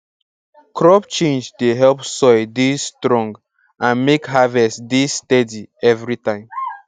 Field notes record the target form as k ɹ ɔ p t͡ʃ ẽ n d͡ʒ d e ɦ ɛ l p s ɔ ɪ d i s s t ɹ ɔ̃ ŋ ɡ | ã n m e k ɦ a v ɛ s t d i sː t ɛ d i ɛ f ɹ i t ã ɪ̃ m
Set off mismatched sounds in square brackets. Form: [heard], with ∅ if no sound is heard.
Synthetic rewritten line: k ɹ ɔ p t͡ʃ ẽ n d͡ʒ d e ɦ ɛ l p s ɔ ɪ d i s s t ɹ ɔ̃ ŋ ɡ | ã n m e k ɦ a v ɛ s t d i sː t ɛ d i ɛ [v] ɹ i t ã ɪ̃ m